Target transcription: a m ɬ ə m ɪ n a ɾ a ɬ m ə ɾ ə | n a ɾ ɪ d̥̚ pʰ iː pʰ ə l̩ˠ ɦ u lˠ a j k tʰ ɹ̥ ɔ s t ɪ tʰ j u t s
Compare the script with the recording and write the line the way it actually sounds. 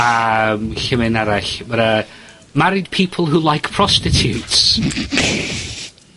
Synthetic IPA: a m ɬ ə m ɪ n a ɾ a ɬ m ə ɾ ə | m a ɾ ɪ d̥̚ pʰ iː pʰ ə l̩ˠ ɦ u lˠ a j k pʰ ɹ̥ ɔ s t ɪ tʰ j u t s

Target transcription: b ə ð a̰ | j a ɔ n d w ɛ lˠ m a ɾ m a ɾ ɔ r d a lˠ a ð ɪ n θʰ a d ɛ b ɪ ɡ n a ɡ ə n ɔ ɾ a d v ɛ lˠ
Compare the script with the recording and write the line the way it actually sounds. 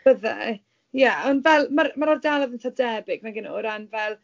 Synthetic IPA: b ə ð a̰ | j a ɔ n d v ɛ lˠ m a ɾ m a ɾ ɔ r d a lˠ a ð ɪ n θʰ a d ɛ b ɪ ɡ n a ɡ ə n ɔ ɾ a n v ɛ lˠ

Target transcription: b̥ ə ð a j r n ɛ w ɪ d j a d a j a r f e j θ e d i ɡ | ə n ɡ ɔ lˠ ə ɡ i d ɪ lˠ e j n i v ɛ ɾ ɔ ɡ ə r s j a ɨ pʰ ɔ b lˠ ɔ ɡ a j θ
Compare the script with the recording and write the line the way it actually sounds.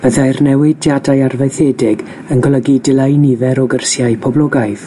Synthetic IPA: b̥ ə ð a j r n ɛ w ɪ d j a d a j a r v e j θ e d ɪ ɡ | ə n ɡ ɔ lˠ ə ɡ i d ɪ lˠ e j n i v ɛ ɾ ɔ ɡ ə r s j a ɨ pʰ ɔ b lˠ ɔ ɡ a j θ

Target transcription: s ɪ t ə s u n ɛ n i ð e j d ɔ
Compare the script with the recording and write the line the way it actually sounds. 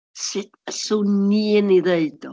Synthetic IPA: s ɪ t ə s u n i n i ð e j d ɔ

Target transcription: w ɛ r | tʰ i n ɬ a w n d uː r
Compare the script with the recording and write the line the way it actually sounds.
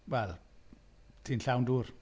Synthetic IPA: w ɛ l | tʰ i n ɬ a w n d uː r

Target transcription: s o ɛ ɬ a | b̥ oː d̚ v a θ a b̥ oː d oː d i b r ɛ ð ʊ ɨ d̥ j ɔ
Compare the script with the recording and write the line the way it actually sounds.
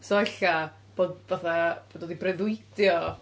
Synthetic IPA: s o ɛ ɬ a | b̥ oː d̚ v a θ a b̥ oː d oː d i b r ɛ ð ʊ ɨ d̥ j ɔ

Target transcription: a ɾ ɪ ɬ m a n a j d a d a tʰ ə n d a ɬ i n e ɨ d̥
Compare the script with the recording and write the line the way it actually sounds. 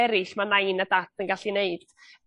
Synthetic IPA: ɛ ɾ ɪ ɬ m a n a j n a d a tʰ ə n ɡ a ɬ i n e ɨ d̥

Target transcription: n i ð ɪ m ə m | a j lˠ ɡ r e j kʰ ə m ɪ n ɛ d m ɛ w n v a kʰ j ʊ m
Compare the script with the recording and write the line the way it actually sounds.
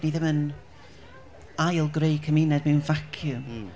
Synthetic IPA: n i ð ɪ m ə n | a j lˠ ɡ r e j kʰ ə m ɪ n ɛ d m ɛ w n v a kʰ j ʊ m

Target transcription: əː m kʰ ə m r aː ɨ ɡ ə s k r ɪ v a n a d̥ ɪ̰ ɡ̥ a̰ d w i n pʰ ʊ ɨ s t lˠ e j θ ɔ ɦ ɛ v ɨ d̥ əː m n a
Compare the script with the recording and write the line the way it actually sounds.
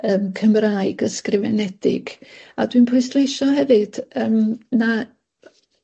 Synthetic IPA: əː m kʰ ə m r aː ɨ ɡ ə s k r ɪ v ɛ n ɛ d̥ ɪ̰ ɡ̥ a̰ d w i n pʰ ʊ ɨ s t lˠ e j ʃ ɔ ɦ ɛ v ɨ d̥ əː m n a

